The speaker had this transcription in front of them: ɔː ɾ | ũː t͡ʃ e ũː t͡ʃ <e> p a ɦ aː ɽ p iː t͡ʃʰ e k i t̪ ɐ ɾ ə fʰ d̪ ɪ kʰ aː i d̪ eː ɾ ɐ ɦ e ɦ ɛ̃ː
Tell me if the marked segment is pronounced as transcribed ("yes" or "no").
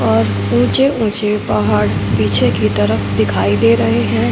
yes